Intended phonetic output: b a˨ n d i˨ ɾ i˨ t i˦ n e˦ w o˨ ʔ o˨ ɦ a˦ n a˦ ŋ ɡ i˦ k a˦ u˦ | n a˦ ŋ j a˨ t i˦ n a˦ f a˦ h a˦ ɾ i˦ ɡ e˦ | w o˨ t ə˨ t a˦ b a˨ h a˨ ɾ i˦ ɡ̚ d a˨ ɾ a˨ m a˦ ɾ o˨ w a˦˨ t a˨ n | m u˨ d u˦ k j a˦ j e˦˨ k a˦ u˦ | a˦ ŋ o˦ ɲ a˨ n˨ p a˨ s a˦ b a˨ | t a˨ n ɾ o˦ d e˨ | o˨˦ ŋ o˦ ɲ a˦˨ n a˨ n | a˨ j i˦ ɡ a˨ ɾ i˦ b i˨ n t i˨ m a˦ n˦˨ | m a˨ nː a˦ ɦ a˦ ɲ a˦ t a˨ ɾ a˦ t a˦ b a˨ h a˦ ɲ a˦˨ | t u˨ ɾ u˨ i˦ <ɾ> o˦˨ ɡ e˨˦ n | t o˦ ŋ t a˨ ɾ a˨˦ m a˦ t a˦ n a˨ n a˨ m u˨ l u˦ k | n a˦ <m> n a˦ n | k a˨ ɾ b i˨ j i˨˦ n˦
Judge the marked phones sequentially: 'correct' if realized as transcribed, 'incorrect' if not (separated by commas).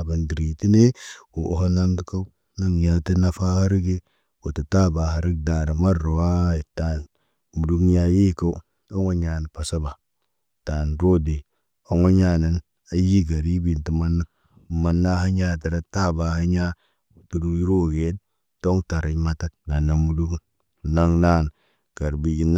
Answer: correct, incorrect